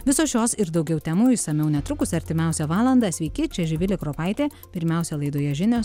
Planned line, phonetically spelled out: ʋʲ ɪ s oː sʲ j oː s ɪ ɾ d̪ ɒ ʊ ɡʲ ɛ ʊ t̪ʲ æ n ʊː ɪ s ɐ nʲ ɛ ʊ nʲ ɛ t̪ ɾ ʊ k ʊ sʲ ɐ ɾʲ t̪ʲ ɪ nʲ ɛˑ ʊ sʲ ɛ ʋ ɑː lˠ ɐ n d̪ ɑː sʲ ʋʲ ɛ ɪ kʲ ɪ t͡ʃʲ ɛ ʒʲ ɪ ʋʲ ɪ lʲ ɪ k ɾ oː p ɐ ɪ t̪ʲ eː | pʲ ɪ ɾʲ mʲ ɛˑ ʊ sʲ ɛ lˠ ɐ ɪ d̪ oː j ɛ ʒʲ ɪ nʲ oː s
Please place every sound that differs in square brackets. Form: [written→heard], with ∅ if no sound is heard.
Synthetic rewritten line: ʋʲ ɪ s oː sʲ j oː s ɪ ɾ d̪ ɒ ʊ ɡʲ ɛ ʊ t̪ʲ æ [n→m] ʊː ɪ s ɐ [nʲ→mʲ] ɛ ʊ nʲ ɛ t̪ ɾ ʊ k ʊ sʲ ɐ ɾʲ t̪ʲ ɪ [nʲ→mʲ] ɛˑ ʊ sʲ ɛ ʋ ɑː lˠ ɐ n d̪ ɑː sʲ ʋʲ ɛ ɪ kʲ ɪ t͡ʃʲ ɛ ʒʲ ɪ ʋʲ ɪ lʲ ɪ k ɾ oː p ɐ ɪ t̪ʲ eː | pʲ ɪ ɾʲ mʲ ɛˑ ʊ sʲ ɛ lˠ ɐ ɪ d̪ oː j ɛ ʒʲ ɪ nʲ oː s